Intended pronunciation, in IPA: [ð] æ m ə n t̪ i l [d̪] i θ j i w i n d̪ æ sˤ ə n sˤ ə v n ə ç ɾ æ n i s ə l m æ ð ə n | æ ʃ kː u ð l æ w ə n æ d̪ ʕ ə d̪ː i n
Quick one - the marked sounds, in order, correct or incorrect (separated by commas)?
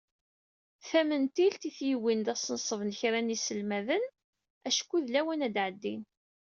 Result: incorrect, incorrect